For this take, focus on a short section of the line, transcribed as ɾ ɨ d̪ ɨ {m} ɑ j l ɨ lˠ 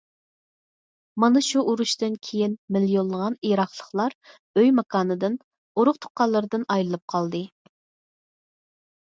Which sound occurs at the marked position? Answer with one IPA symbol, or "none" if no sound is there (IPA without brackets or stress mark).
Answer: n